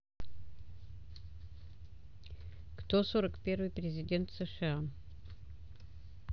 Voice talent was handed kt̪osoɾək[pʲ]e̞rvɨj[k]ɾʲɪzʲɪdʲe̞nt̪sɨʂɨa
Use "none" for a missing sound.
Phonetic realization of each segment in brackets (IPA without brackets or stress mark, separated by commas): pʲ, p